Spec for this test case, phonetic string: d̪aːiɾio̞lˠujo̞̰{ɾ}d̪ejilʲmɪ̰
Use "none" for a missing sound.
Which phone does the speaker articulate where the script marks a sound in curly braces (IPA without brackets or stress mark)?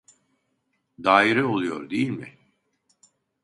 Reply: ɾ